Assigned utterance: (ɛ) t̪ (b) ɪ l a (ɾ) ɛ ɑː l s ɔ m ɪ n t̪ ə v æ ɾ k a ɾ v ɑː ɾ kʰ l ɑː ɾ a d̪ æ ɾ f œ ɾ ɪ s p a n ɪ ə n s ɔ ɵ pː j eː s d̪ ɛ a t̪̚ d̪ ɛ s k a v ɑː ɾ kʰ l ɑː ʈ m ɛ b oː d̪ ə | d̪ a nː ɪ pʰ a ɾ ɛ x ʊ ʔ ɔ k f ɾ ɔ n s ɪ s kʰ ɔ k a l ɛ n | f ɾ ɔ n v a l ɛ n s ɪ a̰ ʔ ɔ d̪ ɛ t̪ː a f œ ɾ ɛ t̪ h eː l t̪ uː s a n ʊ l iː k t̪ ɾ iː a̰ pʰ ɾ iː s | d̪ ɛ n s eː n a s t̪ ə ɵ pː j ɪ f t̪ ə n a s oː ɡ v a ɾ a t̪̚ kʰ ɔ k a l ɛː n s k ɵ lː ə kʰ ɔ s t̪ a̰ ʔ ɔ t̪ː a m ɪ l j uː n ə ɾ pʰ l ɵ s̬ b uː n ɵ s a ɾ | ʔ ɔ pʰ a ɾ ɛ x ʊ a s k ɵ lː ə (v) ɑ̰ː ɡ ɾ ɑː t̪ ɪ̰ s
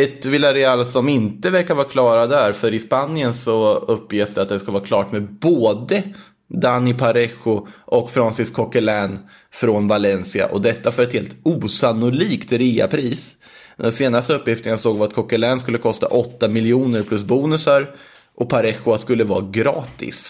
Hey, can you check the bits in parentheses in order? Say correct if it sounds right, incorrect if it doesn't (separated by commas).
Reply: correct, incorrect, correct, correct